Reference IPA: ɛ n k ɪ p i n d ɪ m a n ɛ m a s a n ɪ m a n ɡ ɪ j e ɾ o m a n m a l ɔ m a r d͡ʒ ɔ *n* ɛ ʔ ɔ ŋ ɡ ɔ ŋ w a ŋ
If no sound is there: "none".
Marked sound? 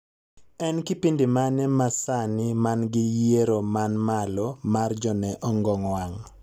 n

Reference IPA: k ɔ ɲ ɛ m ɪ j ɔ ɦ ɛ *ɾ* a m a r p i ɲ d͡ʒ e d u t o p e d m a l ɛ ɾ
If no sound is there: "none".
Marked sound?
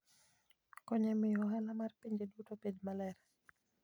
l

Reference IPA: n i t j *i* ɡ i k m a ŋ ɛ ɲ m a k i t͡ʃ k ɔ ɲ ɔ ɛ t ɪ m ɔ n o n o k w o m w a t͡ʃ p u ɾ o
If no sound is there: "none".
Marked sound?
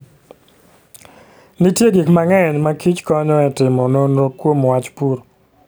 e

